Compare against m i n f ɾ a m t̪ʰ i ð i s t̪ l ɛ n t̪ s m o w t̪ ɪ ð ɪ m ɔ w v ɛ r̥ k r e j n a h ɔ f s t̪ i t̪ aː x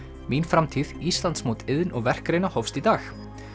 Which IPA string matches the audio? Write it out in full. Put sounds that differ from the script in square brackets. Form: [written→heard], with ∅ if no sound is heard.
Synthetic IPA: m i n f ɾ a m t̪ʰ i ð i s t̪ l [ɛ→a] n t̪ s m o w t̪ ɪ ð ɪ [m→n] ɔ [w→ɣ] v ɛ r̥ k [r→ɾ] e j n a h ɔ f s t̪ i t̪ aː x

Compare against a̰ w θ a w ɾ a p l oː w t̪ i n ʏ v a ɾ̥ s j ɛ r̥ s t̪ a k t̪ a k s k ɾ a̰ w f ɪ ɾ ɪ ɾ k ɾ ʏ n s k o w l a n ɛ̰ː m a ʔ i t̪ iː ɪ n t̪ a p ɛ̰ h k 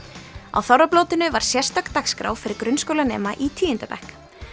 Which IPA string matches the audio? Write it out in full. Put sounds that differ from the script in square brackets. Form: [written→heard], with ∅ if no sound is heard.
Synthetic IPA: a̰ w θ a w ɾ a p l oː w t̪ [i→ɪ] n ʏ v a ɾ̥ s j ɛ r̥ s t̪ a k t̪ a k s k ɾ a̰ w f ɪ ɾ ɪ ɾ k ɾ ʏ n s k o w l a n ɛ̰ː m a ʔ i [t̪→t̪ʰ] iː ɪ n t̪ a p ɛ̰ h k

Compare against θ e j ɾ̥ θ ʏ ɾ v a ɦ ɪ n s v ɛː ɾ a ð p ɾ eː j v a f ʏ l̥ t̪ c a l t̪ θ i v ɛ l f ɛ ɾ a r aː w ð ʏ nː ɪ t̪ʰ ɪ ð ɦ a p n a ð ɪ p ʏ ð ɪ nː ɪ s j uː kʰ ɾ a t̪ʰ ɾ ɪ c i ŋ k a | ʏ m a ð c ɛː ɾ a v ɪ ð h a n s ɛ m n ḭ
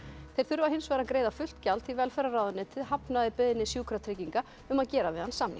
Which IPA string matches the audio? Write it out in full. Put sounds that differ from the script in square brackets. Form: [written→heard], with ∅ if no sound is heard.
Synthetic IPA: θ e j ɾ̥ θ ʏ ɾ v a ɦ ɪ n s v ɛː ɾ a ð [p→k] ɾ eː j [v→ð] a f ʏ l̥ t̪ c a l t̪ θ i v ɛ l f ɛ ɾ a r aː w ð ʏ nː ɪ t̪ʰ ɪ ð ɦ a p n a ð ɪ p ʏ ð ɪ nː ɪ s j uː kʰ ɾ a t̪ʰ ɾ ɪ c i ŋ k a | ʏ m a ð c ɛː ɾ a v ɪ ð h a n s [ɛ→a] m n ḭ

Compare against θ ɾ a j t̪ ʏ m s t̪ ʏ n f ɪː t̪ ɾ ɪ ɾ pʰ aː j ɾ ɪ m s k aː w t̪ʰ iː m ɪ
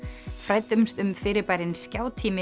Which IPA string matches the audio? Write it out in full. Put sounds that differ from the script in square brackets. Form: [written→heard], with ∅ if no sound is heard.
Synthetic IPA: [θ→f] ɾ a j t̪ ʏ m s t̪ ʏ [n→m] f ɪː [t̪→∅] ɾ ɪ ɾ [pʰ→p] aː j ɾ ɪ [m→n] s [k→c] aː w t̪ʰ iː m ɪ

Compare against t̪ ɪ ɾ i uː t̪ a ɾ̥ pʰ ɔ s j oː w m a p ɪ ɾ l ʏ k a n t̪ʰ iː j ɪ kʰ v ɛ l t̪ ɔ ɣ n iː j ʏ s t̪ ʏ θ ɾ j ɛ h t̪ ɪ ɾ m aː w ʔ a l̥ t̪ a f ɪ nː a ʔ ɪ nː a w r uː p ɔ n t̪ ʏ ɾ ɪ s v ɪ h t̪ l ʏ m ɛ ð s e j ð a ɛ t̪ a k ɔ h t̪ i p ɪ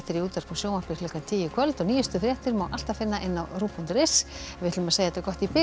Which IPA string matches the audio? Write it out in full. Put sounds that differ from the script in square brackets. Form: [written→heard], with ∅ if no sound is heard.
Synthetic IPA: t̪ ɪ ɾ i uː t̪ a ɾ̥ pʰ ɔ s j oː w m a p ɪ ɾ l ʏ k a n t̪ʰ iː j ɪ kʰ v [ɛ→œ] l t̪ ɔ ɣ n iː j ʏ s t̪ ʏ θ ɾ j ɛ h t̪ ɪ ɾ m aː w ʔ a l̥ t̪ a f ɪ nː a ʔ ɪ nː a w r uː p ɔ n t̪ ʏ ɾ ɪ s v ɪ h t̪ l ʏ m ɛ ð s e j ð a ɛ t̪ a k ɔ h t̪ i p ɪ

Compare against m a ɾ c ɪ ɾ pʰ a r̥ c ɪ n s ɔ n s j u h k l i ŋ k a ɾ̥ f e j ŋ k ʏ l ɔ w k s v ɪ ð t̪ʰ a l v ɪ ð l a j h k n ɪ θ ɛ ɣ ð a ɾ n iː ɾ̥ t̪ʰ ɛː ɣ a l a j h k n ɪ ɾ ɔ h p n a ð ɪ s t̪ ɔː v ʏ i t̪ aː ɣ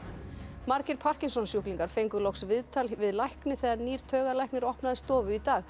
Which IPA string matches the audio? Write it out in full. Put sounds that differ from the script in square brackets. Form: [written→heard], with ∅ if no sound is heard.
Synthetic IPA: m a ɾ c ɪ ɾ pʰ a r̥ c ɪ n s ɔ n s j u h k l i ŋ k a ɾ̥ f e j ŋ k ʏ l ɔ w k s v ɪ ð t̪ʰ a l v ɪ ð l a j h k n ɪ θ ɛ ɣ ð a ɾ n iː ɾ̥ t̪ʰ [ɛː→œː] ɣ a l a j h k n ɪ ɾ ɔ h p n a ð ɪ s t̪ ɔː v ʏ i t̪ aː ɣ

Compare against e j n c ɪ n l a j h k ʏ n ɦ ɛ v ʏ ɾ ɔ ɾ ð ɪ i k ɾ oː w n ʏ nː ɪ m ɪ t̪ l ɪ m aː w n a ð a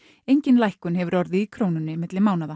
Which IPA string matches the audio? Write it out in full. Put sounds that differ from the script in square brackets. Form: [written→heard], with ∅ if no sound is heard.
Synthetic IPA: e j [n→ɲ] c ɪ n l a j h k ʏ n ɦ ɛ v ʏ ɾ ɔ ɾ ð ɪ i [k→kʰ] ɾ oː w n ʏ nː ɪ m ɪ t̪ l ɪ m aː w n a ð a

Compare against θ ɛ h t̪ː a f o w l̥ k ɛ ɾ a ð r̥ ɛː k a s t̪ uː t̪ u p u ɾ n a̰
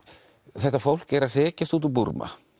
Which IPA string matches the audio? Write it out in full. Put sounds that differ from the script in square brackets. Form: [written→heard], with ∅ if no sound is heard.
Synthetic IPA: θ ɛ h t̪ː a f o w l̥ k ɛ ɾ a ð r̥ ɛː [k→c] a s t̪ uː t̪ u p u ɾ [n→m] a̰

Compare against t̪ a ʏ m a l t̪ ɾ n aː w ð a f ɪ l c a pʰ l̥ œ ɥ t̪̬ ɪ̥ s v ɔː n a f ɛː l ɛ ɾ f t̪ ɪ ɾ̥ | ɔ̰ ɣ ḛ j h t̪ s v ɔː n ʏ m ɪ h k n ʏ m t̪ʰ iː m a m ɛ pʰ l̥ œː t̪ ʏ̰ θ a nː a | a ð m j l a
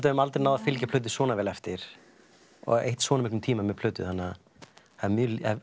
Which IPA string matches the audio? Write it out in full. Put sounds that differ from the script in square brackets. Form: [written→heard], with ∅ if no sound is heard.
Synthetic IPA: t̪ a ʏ m a l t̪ ɾ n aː w ð a f ɪ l c a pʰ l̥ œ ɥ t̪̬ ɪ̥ s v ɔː n a [f→v] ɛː l ɛ [ɾ→∅] f t̪ ɪ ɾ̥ | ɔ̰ ɣ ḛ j h t̪ s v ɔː n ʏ m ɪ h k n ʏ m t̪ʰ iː m a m ɛ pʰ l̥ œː t̪ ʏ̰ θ a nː a | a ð m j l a

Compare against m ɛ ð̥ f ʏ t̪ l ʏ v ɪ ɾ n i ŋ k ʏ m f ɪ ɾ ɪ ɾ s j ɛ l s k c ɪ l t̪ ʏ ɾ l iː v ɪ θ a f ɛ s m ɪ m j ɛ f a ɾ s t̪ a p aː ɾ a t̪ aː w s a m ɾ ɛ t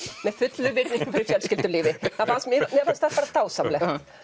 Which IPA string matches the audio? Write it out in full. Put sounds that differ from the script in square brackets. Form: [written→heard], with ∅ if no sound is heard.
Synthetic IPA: m ɛ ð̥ f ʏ t̪ l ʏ v ɪ ɾ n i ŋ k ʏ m f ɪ ɾ ɪ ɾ [s→f] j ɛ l s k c ɪ l t̪ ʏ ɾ l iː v ɪ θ a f [ɛ→a] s m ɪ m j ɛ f a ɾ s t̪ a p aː ɾ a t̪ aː w s a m [ɾ→l] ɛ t

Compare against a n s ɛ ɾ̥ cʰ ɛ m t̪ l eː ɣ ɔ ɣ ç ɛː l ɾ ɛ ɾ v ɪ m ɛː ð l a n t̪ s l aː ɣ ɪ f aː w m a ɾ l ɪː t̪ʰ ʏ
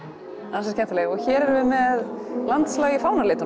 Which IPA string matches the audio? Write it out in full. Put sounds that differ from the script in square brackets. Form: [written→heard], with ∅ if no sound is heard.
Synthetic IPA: a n s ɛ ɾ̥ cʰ ɛ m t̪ l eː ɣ ɔ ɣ ç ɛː [l→∅] ɾ ɛ ɾ v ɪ m [ɛː→ɛ] ð l a n t̪ s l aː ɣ ɪ f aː w [m→n] a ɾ l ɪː [t̪ʰ→t̪] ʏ

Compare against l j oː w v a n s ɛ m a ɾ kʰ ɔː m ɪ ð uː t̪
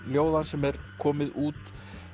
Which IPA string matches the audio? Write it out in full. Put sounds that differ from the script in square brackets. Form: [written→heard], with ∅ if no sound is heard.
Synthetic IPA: l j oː w [v→ð] a n s ɛ m [a→ɛ] ɾ kʰ ɔː m ɪ ð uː t̪

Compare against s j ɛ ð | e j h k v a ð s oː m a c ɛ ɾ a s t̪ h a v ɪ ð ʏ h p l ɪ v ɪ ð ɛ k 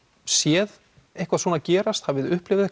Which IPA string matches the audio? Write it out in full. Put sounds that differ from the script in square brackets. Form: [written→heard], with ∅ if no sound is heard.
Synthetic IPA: s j ɛ ð | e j h k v a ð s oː [m→n] a c [ɛ→ɛː] ɾ a s t̪ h a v ɪ ð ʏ h p l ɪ v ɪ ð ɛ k

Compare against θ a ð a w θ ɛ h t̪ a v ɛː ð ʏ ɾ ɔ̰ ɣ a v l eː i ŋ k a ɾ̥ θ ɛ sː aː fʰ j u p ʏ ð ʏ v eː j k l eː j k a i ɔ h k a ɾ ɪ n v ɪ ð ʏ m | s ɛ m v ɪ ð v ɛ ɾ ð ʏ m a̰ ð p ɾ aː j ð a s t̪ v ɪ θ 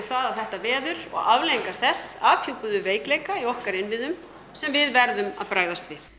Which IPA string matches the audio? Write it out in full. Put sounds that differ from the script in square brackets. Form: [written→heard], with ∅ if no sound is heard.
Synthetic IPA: θ a ð a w θ ɛ h t̪ a v ɛː ð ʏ ɾ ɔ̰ ɣ a v l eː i ŋ k a ɾ̥ θ ɛ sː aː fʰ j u p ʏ ð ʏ v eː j k l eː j k a i ɔ h k a ɾ ɪ n v ɪ ð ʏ m | s ɛ m v ɪ ð v ɛ ɾ ð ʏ m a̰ ð p ɾ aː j ð a s t̪ v ɪ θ

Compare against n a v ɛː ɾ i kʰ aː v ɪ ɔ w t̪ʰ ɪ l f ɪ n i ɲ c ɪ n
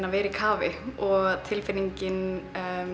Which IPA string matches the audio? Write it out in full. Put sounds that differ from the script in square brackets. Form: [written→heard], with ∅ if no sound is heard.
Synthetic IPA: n a v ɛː ɾ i kʰ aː v ɪ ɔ [w→ɣ] t̪ʰ ɪ l f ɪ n i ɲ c ɪ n

